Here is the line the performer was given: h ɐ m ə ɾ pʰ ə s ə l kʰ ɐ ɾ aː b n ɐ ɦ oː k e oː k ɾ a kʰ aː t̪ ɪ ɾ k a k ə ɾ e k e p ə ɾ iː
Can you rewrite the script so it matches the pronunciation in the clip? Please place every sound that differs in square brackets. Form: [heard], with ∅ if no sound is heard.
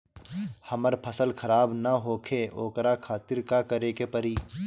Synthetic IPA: h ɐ m ə ɾ pʰ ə s ə l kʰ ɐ ɾ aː b n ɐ ɦ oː [kʰ] e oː k ɾ a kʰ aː t̪ ɪ ɾ k a k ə ɾ e k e p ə ɾ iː